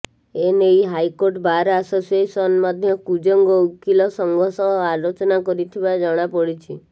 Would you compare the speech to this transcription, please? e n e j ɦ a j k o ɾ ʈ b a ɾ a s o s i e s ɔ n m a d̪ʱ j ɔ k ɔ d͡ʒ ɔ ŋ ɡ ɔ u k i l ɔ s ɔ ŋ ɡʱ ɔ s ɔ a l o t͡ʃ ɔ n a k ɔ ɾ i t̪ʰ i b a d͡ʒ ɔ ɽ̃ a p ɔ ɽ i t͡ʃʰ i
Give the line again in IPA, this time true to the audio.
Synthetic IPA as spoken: e n e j ɦ a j k o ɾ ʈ b a ɾ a s o s i e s ɔ n m a d̪ʱ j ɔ k u d͡ʒ ɔ ŋ ɡ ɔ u k i l ɔ s ɔ ŋ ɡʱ ɔ s ɔ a l o t͡ʃ ɔ n a k ɔ ɾ i t̪ʰ i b a d͡ʒ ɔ ɽ̃ a p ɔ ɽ i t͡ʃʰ i